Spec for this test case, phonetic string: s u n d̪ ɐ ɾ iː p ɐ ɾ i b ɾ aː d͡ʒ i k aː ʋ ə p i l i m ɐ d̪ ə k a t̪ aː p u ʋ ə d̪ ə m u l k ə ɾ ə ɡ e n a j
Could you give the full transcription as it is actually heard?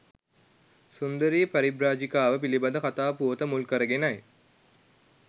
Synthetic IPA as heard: s u n d̪ ə ɾ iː p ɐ ɾ i b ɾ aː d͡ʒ i k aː ʋ ə p i l i b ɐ d̪ ə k a t̪ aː p u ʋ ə t̪ ə m u l k ə ɾ ə ɡ e n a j